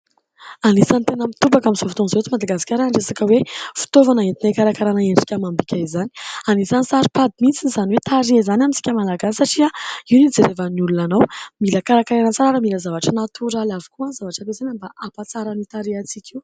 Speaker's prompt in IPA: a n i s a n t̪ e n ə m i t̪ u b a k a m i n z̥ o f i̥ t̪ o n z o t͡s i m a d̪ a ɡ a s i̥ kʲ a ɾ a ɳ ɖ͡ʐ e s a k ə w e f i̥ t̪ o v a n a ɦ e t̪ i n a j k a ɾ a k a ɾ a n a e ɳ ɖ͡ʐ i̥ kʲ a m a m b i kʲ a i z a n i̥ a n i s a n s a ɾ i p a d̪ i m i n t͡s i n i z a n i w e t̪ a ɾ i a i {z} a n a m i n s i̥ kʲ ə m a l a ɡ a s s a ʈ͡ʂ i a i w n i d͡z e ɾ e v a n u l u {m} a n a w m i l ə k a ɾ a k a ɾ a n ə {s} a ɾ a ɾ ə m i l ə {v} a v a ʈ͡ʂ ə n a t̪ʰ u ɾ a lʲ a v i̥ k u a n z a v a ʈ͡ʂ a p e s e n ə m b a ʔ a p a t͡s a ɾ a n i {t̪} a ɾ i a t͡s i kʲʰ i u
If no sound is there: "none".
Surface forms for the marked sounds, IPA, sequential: z, n, t͡s, z, t̪

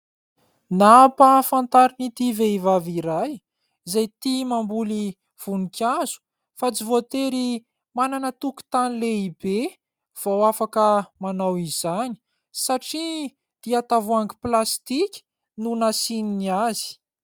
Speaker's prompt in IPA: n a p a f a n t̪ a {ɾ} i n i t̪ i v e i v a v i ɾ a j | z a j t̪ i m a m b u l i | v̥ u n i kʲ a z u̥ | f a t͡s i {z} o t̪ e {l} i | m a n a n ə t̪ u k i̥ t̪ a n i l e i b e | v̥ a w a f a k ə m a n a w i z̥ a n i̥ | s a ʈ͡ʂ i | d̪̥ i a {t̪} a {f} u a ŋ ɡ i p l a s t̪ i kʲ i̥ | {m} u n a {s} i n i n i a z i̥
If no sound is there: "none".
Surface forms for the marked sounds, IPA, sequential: ɾ, v, ɾ, t̪, v, n, s

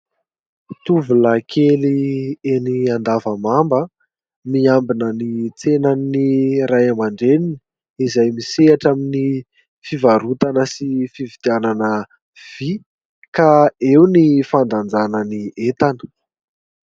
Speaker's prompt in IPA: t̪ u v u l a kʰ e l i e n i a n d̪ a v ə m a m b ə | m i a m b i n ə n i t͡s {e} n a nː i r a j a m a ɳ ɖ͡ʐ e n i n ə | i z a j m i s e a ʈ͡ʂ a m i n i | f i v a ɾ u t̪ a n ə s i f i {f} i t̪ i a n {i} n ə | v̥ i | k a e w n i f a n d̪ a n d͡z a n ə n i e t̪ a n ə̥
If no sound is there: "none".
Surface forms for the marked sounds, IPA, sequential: e, v, a

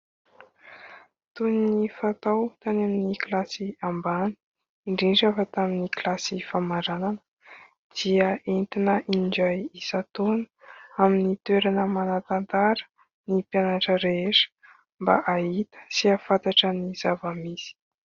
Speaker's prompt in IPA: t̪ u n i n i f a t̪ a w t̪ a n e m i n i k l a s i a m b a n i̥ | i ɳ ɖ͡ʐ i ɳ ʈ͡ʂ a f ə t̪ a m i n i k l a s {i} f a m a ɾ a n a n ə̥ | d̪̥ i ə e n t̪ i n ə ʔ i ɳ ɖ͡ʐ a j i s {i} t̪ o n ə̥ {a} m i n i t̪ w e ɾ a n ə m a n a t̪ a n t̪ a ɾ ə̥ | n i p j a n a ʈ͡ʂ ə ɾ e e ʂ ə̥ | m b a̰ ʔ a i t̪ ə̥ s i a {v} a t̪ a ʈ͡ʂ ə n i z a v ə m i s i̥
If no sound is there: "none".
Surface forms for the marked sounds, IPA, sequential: i, a, a, f

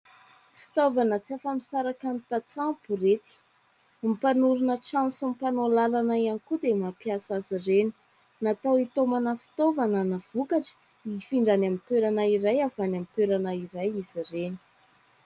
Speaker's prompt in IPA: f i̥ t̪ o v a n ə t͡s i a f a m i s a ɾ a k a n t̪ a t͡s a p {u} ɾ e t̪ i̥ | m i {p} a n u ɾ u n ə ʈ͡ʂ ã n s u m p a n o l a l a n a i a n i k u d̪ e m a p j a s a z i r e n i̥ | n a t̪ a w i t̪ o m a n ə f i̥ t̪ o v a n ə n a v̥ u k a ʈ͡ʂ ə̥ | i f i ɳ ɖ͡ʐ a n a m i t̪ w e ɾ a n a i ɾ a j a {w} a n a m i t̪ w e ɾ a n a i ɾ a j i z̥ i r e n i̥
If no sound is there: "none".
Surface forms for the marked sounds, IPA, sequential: u, p, v

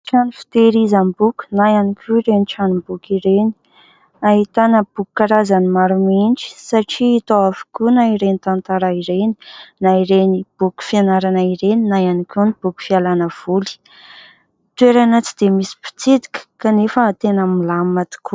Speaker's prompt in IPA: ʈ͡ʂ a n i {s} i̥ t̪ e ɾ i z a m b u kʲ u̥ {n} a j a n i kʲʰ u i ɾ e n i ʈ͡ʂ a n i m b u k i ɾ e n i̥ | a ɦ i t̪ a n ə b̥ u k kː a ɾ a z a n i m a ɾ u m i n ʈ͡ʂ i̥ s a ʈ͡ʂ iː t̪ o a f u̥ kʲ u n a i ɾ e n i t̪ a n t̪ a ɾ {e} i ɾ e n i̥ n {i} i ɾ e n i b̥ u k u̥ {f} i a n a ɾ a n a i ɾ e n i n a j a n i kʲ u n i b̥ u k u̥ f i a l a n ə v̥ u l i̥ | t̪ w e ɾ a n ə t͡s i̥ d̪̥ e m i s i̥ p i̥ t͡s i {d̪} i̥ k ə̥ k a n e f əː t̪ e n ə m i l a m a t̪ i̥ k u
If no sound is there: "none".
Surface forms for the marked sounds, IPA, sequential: f, n, a, a, f, d̪

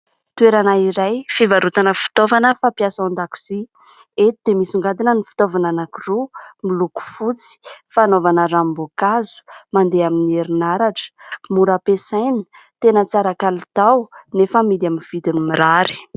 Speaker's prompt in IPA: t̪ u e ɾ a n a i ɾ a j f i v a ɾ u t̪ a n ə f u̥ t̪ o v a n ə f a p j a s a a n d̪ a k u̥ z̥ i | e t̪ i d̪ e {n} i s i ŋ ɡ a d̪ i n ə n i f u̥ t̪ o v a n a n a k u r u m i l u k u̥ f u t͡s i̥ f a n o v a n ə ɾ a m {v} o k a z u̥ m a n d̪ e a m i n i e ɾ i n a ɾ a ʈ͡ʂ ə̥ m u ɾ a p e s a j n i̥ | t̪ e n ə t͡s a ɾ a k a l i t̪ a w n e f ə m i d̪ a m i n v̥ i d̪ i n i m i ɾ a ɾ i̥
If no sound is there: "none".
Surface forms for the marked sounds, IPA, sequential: m, b

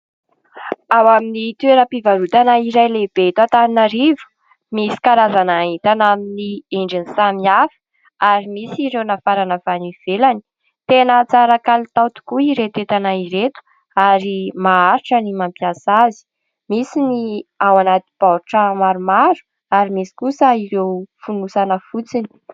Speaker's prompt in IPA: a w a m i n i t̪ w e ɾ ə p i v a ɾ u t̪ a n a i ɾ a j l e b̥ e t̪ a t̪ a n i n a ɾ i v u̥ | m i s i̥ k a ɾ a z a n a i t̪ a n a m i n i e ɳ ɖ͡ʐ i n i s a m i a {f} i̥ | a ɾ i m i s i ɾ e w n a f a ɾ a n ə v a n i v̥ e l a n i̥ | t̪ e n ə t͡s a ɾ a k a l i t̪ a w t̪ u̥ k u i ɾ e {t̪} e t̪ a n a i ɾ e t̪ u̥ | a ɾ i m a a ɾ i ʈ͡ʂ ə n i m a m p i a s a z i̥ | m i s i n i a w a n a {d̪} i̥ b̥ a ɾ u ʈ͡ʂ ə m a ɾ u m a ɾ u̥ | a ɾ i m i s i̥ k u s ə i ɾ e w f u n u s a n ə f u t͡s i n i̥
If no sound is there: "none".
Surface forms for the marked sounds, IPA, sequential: f, t̪, t̪

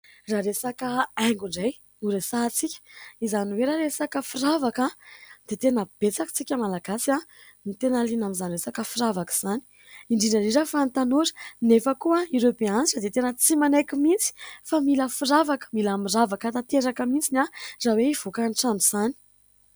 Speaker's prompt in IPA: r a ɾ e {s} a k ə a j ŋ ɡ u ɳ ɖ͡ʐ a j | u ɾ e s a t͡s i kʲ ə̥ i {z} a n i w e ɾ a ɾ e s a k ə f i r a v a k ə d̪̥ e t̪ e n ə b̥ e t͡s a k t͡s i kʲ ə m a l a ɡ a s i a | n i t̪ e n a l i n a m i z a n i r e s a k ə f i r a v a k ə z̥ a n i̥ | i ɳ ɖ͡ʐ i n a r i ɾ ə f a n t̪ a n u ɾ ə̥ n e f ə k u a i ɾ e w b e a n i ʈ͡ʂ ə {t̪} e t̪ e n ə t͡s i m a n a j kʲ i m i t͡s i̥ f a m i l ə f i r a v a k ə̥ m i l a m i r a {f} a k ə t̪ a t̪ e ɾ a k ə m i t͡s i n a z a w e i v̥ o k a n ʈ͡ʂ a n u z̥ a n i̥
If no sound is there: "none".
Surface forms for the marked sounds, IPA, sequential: s, z, d̪, v

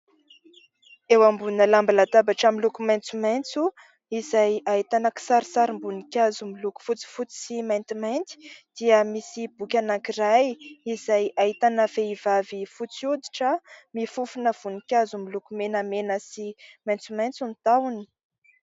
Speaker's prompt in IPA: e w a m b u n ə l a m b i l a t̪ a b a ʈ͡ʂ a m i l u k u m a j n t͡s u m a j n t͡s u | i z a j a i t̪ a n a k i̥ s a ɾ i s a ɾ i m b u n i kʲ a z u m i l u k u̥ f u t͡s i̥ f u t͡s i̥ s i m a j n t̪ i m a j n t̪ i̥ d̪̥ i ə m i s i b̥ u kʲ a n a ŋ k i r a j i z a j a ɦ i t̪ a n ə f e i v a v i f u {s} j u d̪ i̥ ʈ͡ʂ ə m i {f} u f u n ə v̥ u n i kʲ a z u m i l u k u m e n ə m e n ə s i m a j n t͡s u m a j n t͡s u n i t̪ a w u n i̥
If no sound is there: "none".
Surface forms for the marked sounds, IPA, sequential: t͡s, f

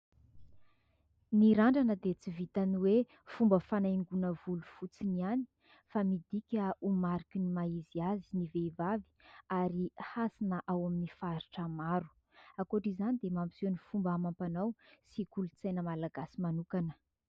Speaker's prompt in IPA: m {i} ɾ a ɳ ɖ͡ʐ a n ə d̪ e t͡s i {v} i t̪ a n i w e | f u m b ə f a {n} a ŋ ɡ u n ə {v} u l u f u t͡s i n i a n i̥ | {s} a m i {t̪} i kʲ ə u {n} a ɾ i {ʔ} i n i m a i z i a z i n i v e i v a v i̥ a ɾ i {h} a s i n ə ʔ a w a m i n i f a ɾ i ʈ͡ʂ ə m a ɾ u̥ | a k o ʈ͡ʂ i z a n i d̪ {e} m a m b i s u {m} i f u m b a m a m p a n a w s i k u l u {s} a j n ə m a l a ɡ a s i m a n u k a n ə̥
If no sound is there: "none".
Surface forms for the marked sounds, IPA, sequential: i, v, n, v, f, d̪, m, k, h, e, n, t͡s

